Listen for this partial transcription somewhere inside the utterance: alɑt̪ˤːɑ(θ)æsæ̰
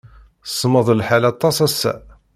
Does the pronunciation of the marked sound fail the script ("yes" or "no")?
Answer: yes